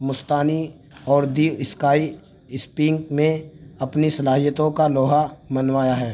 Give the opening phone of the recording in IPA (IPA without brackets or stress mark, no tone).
m